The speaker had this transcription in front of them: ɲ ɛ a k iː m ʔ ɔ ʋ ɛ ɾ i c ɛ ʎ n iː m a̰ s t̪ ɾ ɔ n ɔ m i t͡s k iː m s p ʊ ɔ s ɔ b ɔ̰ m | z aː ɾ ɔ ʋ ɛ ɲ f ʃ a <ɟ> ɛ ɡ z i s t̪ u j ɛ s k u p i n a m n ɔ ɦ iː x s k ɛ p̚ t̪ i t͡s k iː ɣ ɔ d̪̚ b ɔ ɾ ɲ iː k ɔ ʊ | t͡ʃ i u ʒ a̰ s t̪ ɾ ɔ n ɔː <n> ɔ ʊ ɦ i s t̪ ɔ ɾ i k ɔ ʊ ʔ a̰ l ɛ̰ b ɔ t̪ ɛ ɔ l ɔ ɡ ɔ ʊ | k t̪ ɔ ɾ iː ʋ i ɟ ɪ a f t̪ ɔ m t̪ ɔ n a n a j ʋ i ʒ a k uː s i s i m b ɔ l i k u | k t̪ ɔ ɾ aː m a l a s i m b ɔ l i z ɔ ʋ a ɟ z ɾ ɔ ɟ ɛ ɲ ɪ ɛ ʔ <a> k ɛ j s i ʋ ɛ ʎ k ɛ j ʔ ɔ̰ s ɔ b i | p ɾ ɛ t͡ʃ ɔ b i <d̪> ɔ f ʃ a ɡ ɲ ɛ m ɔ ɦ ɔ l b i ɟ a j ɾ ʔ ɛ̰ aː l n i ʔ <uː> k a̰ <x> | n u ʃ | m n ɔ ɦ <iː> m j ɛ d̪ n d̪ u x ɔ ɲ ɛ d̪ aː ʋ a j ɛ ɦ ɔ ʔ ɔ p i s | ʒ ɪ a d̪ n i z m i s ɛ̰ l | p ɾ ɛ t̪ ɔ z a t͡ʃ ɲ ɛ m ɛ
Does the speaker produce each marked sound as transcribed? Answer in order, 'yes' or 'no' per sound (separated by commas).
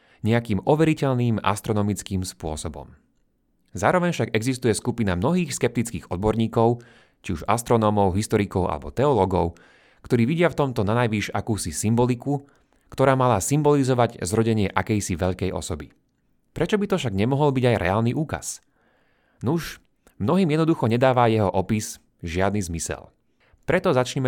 no, no, yes, no, yes, no, yes